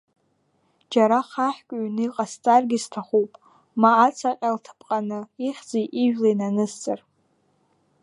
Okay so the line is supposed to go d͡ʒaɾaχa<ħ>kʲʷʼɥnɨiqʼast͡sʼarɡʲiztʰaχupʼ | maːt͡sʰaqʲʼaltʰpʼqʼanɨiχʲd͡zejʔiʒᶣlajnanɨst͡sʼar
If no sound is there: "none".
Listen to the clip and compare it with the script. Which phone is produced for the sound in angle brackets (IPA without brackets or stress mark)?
ħ